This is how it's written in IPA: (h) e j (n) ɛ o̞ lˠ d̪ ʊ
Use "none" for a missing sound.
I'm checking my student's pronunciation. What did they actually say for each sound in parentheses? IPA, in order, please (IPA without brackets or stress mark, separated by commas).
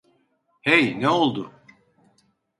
h, n